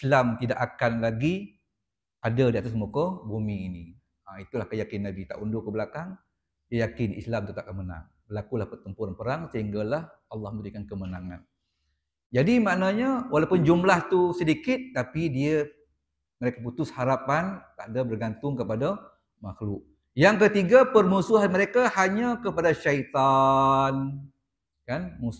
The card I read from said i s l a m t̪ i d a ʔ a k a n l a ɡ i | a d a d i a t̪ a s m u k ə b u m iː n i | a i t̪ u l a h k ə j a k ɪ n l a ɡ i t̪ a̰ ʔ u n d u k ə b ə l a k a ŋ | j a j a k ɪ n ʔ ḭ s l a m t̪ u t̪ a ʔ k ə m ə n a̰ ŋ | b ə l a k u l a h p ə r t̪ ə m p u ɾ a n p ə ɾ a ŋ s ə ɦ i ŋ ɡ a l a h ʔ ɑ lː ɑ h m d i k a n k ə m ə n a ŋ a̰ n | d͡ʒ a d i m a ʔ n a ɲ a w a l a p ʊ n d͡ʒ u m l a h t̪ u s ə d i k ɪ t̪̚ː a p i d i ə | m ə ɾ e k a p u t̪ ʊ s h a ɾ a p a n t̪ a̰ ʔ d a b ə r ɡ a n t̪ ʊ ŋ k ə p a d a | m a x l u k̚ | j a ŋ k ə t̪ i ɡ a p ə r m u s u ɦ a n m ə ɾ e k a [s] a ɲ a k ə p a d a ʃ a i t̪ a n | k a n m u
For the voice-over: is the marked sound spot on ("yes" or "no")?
no